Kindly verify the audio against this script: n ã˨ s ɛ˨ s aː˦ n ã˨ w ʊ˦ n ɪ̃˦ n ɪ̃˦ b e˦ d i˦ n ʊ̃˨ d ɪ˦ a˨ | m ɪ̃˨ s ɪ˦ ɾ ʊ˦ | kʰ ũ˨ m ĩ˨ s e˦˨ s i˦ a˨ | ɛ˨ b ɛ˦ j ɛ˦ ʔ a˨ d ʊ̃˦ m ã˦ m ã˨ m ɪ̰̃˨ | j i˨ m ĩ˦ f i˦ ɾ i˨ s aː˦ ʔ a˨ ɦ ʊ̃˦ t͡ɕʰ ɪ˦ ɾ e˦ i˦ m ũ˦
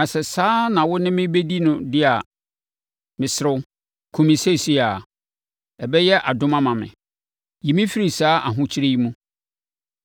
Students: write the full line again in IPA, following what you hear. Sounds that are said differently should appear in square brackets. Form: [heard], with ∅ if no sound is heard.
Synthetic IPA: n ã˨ s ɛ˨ s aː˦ n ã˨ w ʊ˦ n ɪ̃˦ [m] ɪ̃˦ b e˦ d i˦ n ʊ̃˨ d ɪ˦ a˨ | m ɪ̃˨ s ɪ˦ ɾ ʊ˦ | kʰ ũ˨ m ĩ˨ s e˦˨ s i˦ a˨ | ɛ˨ b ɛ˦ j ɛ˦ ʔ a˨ d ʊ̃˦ m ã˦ m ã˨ m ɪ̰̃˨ | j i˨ m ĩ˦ f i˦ ɾ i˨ s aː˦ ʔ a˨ ɦ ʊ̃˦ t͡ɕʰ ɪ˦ ɾ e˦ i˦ m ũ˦